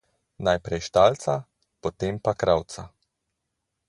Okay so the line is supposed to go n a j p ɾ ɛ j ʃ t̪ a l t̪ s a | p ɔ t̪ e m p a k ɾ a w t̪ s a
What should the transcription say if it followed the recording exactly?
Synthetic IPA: n a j p ɾ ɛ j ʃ t̪ a l t̪ s a | p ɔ t̪ e m p a k ɾ a w t̪ s a